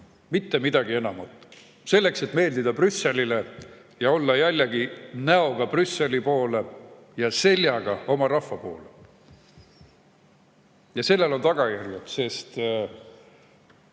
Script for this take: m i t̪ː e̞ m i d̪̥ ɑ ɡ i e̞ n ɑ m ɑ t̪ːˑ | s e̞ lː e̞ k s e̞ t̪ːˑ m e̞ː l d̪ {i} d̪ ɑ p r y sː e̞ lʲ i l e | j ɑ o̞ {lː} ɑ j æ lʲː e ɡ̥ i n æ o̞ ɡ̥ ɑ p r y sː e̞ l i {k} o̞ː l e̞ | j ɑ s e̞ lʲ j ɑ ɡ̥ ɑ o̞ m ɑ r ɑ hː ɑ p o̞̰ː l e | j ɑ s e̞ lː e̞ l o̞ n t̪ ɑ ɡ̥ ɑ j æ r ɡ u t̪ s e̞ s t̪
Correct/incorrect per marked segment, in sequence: correct, correct, incorrect: p

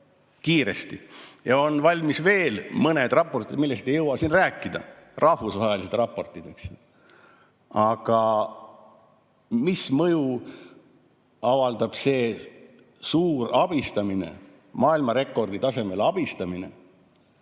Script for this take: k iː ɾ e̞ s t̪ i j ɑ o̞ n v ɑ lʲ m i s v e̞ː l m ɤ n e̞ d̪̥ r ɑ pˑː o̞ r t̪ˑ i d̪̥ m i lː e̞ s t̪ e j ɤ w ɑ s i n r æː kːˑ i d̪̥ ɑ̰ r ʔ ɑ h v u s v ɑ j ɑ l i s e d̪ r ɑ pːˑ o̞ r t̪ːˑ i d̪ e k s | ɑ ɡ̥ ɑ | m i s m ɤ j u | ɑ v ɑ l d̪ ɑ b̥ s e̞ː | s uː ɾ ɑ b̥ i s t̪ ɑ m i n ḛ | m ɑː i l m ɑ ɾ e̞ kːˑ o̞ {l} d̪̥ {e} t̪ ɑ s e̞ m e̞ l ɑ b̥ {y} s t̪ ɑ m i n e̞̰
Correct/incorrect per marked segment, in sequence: incorrect: r, incorrect: i, incorrect: i

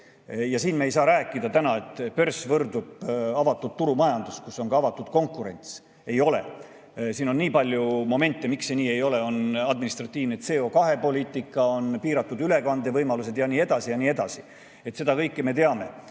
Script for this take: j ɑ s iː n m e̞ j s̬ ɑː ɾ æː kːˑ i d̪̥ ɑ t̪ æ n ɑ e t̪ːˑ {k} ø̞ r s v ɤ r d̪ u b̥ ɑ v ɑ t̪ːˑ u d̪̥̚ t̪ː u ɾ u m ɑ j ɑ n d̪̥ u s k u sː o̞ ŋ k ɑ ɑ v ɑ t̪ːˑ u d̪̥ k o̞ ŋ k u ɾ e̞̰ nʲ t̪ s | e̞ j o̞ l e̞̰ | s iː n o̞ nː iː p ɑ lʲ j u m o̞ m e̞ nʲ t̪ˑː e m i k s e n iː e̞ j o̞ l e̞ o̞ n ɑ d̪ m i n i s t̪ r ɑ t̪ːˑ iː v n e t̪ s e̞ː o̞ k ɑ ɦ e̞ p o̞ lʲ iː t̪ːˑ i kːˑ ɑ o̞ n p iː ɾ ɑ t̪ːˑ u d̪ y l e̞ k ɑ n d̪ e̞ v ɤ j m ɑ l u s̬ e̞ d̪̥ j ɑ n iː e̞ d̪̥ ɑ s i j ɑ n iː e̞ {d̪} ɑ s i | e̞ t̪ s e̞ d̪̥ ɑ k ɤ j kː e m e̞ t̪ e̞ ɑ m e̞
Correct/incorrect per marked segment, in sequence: incorrect: p, correct

